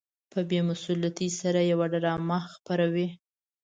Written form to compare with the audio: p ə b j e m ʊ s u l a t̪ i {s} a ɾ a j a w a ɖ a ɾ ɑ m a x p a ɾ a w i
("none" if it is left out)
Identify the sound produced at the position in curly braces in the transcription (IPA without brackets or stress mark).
s